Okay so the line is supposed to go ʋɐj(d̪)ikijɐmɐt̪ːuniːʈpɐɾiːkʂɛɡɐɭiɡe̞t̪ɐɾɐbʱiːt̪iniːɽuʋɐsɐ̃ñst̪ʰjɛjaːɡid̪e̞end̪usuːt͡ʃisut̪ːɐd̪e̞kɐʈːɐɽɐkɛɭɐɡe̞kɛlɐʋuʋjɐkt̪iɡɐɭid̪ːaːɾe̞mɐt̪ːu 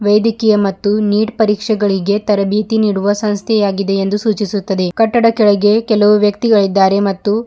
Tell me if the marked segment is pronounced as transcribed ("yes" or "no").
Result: yes